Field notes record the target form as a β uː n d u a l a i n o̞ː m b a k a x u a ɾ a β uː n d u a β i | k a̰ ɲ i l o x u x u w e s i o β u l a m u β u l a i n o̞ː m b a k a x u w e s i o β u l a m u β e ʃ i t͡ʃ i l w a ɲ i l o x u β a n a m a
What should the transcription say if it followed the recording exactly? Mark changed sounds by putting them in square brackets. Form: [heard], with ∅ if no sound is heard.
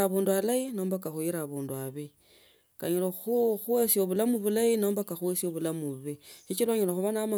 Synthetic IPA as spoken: a β uː n d u a l a i n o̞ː m b a k a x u [i] ɾ a β uː n d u a β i | k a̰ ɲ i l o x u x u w e s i o β u l a m u β u l a i n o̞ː m b a k a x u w e s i o β u l a m u β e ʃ i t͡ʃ i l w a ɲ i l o x u β a n a m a